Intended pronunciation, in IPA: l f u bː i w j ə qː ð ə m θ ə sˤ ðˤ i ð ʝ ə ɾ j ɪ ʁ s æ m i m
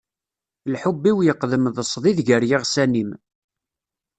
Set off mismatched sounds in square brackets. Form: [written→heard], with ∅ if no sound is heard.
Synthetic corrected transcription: l [f→ħ] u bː i w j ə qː ð ə m [θ→ð] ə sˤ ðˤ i ð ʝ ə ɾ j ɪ ʁ s æ [m→n] i m